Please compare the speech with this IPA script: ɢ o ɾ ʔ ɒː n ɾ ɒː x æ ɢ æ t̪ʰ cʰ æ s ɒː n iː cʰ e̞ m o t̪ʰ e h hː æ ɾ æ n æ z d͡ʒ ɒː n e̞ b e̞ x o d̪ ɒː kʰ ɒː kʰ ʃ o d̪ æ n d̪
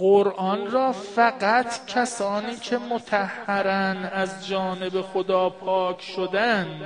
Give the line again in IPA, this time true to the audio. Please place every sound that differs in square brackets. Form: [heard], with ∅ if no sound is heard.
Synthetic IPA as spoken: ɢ o ɾ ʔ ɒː n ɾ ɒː [f] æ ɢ æ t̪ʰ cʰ æ s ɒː n iː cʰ e̞ m o t̪ʰ [æ] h hː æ ɾ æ n æ z d͡ʒ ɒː n e̞ b e̞ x o d̪ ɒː [pʰ] ɒː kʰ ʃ o d̪ æ n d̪